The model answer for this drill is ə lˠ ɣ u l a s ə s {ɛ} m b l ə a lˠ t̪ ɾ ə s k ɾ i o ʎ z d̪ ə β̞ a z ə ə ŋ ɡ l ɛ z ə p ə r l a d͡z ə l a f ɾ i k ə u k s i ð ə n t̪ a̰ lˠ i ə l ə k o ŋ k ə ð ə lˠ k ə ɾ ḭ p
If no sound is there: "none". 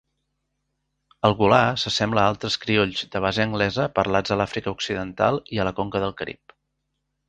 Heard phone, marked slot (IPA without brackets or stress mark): ɛ